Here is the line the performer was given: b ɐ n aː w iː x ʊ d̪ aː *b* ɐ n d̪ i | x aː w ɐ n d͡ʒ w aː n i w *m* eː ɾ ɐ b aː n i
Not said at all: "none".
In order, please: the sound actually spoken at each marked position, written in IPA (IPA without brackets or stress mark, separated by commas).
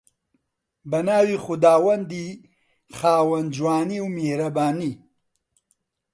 w, m